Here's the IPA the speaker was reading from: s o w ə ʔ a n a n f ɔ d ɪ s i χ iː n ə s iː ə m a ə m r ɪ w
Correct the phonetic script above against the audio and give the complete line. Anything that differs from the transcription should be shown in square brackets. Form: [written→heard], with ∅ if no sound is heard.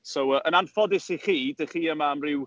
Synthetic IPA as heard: s o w ə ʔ [a→ə] n a n f ɔ d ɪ s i χ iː [n→d] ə [s→χ] iː ə m a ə m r ɪ w

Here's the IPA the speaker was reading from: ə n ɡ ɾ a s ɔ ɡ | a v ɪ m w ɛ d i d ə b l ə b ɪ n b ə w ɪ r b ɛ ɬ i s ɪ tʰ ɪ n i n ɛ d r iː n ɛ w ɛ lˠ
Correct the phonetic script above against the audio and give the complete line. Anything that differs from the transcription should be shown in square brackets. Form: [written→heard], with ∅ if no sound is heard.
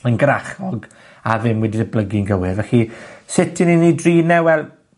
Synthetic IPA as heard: ə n ɡ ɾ a [s→χ] ɔ ɡ | a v ɪ m w ɛ d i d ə b l ə [b→ɡ] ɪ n [b→ɡ] ə w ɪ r [b→v] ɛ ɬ i s ɪ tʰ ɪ n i n [ɛ→i] d r iː n ɛ w ɛ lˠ

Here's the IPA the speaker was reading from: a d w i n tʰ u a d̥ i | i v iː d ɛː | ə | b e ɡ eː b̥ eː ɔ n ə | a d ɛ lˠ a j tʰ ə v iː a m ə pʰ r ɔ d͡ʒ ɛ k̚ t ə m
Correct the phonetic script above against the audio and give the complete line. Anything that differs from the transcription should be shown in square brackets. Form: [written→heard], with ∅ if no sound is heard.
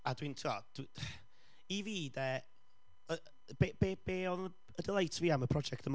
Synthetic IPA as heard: a d w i n tʰ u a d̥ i | i v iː d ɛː | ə | b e [ɡ→b] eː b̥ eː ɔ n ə | [a→ə] d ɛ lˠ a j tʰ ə v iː a m ə pʰ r ɔ d͡ʒ ɛ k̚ t ə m

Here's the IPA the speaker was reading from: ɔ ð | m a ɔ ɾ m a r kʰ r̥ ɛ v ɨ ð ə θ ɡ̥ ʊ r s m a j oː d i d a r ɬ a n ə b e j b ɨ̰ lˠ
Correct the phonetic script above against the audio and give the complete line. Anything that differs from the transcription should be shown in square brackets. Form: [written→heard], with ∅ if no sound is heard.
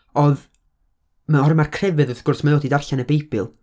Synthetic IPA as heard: ɔ ð | m a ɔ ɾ m a r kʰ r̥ ɛ v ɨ ð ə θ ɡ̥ ʊ r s m a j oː d i d a r ɬ a n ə b e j b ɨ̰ lˠ

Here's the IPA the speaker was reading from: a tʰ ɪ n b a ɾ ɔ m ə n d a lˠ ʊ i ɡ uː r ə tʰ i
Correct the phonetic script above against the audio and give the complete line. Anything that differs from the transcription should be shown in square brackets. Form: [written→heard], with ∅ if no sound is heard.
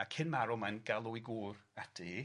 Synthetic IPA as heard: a [tʰ→kʰ] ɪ n [b→m] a ɾ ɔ m [ə→a] n [d→ɡ] a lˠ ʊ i ɡ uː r [ə→a] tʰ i

